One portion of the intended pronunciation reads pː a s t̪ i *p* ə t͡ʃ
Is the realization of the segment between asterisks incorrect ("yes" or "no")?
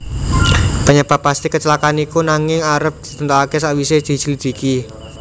yes